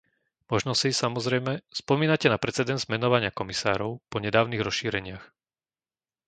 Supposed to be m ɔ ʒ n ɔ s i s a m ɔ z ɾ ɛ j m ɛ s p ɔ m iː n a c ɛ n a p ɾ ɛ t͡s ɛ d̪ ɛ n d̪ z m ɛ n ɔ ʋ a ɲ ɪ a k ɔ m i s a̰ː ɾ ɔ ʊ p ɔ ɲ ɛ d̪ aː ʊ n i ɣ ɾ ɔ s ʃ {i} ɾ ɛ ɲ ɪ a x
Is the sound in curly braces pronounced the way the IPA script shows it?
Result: no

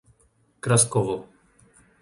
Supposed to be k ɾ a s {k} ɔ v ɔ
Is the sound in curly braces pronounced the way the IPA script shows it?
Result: yes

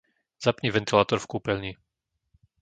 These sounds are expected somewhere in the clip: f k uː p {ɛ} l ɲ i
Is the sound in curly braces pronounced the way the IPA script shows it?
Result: yes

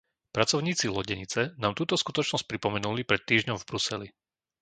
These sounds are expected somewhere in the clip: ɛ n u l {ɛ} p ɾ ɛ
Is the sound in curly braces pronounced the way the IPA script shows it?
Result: no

